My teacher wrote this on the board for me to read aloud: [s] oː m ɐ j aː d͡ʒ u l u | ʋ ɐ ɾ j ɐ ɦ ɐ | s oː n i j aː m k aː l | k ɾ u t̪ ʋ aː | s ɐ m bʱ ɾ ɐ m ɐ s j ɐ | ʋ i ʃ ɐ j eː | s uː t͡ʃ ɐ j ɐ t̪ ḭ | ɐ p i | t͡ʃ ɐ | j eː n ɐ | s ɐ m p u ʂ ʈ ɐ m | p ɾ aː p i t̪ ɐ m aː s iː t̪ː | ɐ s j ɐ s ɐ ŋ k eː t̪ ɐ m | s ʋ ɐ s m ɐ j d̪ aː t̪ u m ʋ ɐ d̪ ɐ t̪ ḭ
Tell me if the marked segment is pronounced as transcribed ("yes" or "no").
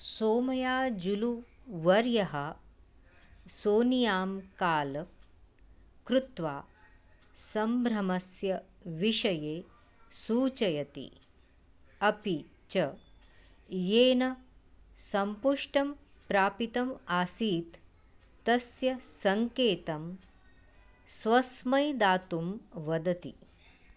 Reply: yes